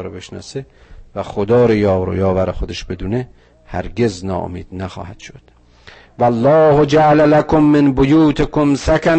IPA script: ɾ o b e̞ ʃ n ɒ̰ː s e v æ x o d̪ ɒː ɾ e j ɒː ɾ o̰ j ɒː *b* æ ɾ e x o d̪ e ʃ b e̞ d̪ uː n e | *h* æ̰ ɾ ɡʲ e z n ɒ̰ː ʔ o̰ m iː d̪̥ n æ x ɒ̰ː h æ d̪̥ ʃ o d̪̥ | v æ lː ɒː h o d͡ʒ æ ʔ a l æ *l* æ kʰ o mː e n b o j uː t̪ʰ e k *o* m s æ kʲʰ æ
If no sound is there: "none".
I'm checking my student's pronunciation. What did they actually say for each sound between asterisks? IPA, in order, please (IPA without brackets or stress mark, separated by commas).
v, h, l, o